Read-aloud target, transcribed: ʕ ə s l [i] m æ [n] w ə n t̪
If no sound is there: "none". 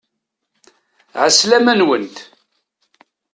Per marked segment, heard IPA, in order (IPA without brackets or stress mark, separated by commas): æ, n